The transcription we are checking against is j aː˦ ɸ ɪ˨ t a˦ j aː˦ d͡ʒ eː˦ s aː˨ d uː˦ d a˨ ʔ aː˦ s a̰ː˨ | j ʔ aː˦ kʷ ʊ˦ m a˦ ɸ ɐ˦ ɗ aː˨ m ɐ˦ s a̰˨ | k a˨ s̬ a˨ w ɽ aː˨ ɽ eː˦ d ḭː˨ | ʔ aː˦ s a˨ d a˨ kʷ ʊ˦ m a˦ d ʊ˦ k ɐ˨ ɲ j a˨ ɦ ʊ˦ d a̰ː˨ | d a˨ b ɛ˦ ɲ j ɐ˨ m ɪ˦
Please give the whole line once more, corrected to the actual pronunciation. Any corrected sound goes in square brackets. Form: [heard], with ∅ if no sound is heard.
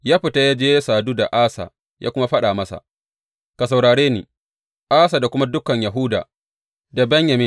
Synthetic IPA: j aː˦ ɸ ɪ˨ t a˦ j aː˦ d͡ʒ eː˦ s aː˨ d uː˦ d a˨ ʔ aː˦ s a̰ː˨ | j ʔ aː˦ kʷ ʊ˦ m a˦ ɸ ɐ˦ ɗ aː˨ m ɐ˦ s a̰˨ | k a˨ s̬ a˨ w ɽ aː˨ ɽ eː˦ [n] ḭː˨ | ʔ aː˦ s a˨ d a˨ kʷ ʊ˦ m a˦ d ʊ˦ k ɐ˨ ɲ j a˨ ɦ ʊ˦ d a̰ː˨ | d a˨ b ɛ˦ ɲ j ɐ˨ m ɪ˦